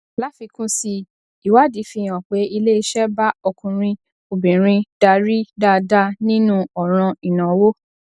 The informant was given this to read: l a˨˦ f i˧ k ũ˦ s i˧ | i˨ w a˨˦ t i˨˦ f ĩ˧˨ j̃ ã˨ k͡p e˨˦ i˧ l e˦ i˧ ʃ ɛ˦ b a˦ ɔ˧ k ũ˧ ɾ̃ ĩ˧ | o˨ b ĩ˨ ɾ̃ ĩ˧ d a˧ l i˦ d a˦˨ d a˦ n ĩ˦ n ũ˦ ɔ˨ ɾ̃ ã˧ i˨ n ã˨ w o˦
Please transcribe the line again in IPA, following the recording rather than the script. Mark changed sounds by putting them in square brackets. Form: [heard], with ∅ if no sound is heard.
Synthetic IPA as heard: l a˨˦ f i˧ k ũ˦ s i˧ | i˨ w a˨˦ [d] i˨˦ f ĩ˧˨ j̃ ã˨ k͡p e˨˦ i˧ l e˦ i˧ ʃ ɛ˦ b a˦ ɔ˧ k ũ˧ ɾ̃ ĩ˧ | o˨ b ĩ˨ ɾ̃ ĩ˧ d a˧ [ɾ] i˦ d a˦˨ d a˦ n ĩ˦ n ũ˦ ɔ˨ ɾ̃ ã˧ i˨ n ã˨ w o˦

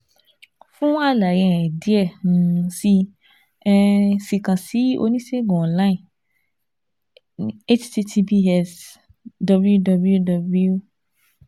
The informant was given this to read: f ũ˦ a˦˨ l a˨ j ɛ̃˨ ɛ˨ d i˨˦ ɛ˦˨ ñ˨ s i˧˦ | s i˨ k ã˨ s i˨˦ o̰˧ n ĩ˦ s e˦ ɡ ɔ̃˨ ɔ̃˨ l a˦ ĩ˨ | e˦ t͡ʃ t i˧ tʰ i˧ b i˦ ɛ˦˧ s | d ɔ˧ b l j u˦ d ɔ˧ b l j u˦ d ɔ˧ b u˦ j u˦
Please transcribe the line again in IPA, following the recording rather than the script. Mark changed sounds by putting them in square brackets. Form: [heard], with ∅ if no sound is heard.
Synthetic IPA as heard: f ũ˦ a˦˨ l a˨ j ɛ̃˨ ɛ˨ d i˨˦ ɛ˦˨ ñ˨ s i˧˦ | s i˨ k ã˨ s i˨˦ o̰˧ n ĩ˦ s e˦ ɡ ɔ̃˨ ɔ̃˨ l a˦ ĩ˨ | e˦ t͡ʃ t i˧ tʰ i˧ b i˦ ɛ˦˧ s | d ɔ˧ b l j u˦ d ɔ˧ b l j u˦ d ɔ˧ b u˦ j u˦

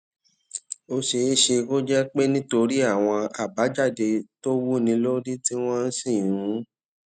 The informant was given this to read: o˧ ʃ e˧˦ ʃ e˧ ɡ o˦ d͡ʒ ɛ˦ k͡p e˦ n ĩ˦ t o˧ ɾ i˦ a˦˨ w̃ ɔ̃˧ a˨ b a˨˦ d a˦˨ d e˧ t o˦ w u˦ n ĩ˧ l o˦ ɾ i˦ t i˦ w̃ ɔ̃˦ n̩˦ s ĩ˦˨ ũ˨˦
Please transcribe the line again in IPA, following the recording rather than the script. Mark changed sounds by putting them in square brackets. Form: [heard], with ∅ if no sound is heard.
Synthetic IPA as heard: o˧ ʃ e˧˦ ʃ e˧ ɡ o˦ d͡ʒ ɛ˦ k͡p e˦ n ĩ˦ t o˧ ɾ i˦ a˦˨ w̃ ɔ̃˧ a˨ b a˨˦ [d͡ʒ] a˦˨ d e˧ t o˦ w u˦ n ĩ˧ l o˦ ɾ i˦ t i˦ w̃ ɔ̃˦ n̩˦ s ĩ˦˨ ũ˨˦

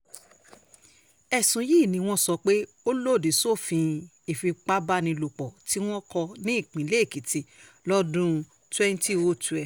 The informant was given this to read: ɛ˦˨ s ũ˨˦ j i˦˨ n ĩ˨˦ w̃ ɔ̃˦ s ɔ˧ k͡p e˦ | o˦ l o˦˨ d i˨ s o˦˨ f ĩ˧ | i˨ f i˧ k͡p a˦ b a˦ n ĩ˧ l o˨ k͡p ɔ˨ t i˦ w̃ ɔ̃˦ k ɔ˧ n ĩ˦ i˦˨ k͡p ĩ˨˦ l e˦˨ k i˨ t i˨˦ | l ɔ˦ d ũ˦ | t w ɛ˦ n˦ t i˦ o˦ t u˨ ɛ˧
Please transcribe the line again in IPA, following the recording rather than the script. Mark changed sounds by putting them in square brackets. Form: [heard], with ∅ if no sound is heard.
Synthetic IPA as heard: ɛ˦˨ s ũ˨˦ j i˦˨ n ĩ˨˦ w̃ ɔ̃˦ s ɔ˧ k͡p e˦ | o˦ l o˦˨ d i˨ s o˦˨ f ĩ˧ | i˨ f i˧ k͡p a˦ b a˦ n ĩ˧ l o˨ k͡p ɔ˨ t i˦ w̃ ɔ̃˦ k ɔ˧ n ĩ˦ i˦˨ k͡p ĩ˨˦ l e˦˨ k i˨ t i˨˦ | l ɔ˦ d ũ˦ | t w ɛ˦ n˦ t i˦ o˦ t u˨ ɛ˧

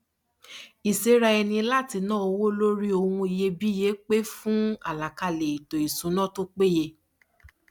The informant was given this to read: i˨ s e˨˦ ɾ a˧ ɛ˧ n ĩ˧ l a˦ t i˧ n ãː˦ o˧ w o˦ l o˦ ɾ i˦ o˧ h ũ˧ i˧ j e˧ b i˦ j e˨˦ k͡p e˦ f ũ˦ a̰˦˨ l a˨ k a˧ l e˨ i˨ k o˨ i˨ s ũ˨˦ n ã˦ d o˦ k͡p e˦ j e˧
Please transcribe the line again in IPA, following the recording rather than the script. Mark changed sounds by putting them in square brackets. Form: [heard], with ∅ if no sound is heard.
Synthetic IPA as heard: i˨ s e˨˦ ɾ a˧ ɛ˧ n ĩ˧ l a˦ t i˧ n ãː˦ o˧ w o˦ l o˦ ɾ i˦ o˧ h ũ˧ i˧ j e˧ b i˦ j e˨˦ k͡p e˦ f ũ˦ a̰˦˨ l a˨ k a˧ l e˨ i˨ [t] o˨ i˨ s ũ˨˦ n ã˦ [t] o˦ k͡p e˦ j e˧

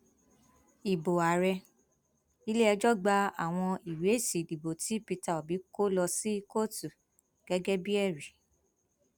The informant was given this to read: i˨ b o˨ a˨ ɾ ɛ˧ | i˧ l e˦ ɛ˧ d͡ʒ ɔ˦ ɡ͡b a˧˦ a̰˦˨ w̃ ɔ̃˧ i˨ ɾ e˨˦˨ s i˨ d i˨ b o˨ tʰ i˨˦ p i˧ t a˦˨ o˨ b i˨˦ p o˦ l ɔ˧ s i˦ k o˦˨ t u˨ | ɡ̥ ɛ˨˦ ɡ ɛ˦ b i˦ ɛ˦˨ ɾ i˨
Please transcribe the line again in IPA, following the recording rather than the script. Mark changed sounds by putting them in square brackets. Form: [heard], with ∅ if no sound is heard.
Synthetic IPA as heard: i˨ b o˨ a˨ ɾ ɛ˧ | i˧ l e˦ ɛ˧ d͡ʒ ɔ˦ ɡ͡b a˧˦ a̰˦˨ w̃ ɔ̃˧ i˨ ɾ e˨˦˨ s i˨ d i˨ b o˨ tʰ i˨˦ p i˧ t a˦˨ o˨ b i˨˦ [k] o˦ l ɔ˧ s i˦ k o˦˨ t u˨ | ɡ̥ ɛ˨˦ ɡ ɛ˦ b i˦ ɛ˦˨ ɾ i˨

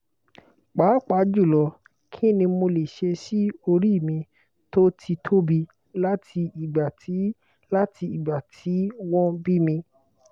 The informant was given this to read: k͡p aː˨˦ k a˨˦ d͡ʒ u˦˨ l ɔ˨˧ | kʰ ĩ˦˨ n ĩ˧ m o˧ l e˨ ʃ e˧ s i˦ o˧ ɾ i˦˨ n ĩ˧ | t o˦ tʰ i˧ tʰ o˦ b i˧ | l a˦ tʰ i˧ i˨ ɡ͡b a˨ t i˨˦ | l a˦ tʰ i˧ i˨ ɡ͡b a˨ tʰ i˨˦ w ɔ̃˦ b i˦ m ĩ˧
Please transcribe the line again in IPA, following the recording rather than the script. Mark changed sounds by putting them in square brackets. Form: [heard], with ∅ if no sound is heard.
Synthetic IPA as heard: k͡p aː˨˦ [k͡p] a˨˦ d͡ʒ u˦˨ l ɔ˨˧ | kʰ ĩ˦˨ n ĩ˧ m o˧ l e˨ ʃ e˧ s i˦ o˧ ɾ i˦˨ [m] ĩ˧ | t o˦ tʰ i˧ tʰ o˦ b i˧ | l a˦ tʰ i˧ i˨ ɡ͡b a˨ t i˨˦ | l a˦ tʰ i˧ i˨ ɡ͡b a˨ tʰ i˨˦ w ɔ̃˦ b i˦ m ĩ˧

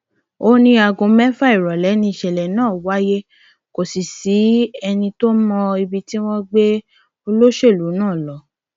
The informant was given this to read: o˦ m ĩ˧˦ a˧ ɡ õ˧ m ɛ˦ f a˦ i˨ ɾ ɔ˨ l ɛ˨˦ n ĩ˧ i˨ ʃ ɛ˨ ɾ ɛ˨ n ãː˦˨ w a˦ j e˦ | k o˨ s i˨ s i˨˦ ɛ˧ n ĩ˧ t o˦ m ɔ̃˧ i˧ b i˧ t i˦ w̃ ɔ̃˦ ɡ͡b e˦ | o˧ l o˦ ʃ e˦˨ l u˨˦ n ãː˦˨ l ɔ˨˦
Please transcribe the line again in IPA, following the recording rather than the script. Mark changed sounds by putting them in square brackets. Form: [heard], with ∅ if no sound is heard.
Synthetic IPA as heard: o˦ [n] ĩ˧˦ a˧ ɡ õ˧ m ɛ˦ f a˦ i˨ ɾ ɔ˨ l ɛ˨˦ n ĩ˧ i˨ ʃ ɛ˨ [l] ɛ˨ n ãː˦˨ w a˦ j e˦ | k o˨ s i˨ s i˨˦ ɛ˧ n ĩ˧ t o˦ m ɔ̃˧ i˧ b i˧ t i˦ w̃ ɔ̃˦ ɡ͡b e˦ | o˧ l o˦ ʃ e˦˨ l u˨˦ n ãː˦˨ l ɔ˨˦

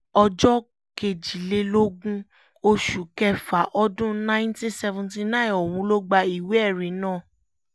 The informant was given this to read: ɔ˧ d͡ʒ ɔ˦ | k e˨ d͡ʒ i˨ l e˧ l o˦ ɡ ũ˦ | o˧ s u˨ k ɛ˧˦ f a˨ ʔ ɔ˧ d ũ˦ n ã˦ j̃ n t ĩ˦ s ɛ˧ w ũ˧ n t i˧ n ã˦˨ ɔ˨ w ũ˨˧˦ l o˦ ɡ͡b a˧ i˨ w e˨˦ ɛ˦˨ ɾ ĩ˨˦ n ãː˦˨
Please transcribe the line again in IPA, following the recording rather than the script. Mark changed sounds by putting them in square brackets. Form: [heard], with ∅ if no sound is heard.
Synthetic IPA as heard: ɔ˧ d͡ʒ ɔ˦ | k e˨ d͡ʒ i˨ l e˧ l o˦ ɡ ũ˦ | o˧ [ʃ] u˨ k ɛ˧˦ f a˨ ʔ ɔ˧ d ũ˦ n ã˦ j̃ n t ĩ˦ s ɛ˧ [v] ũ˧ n t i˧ n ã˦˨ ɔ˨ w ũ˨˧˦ l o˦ ɡ͡b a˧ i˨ w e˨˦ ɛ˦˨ ɾ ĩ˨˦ n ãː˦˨

